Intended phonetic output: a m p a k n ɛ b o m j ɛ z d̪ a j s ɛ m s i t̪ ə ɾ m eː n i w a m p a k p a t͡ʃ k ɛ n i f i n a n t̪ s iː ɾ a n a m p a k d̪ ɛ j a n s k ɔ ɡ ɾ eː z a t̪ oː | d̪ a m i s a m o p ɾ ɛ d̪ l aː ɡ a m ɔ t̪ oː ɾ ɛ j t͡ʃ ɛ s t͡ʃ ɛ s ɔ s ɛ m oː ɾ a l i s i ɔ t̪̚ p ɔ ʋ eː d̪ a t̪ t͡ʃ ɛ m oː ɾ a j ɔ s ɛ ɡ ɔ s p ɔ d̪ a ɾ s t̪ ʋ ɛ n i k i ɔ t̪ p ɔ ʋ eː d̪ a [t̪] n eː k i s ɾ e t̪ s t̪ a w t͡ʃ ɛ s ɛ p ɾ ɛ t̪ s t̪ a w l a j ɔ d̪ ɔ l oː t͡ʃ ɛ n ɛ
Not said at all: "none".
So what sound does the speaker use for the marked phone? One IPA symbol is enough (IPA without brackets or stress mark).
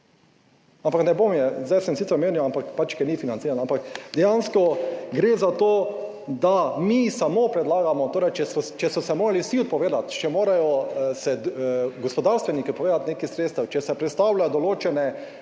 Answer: t̪